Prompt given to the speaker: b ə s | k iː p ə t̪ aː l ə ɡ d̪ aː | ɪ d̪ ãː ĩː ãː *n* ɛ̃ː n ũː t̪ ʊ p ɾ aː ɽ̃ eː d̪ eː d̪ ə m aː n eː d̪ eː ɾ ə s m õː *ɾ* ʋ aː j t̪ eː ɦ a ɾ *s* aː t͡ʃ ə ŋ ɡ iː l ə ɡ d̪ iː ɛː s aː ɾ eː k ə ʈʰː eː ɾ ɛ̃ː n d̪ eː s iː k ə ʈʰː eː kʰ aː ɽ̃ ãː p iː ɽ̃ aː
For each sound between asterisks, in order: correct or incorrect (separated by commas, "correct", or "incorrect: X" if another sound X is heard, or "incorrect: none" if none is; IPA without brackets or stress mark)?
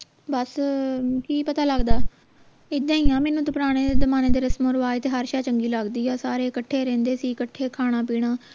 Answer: incorrect: m, correct, incorrect: ʃ